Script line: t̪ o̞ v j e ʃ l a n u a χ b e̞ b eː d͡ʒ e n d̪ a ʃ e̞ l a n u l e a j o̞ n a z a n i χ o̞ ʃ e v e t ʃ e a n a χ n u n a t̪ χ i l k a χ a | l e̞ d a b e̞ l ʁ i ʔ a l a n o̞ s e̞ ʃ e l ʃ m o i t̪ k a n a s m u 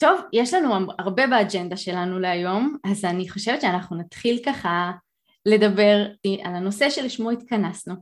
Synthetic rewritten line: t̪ o̞ v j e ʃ l a n u a ʁ b e̞ b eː d͡ʒ e n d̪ a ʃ e̞ l a n u l e a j o̞ m a z a n i χ o̞ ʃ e v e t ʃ e a n a χ n u n a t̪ χ i l k a χ a | l e̞ d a b e̞ ʁ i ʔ a l a n o̞ s e̞ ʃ e l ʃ m o i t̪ k a n a s n u